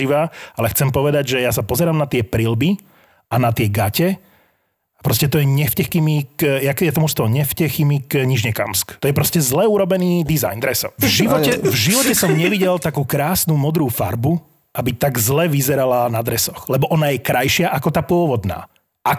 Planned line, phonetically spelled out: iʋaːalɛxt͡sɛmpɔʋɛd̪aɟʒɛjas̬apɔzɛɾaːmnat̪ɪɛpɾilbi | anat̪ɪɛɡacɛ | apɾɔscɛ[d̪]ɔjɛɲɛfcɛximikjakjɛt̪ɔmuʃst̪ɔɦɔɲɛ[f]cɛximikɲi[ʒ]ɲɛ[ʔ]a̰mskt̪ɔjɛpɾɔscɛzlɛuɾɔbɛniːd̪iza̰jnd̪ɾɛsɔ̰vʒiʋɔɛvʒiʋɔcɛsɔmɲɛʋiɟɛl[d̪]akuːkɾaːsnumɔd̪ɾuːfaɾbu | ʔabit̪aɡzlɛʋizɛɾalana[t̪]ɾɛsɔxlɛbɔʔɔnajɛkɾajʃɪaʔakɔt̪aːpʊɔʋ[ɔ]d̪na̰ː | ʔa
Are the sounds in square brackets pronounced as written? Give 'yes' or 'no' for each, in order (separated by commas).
no, yes, yes, no, no, no, yes